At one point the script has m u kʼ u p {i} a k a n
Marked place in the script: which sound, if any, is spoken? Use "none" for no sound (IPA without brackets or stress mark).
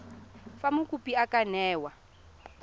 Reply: i